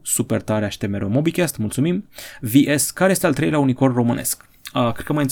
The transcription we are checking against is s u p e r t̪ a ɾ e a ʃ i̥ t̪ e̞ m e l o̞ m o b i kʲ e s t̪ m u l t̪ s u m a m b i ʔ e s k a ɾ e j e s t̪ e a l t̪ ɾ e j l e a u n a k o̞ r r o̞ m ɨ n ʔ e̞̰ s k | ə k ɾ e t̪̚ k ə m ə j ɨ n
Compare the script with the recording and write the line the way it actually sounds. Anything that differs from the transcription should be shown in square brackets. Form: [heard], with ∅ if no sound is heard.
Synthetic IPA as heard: s u p e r t̪ a ɾ e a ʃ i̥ t̪ e̞ m e [ɾ] o̞ m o b i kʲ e s t̪ m u l t̪ s u m [i] m [v] i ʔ e s k a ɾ e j e s t̪ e a l t̪ ɾ e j l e a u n [i] k o̞ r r o̞ m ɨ n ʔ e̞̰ s k | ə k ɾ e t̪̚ k ə m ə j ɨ n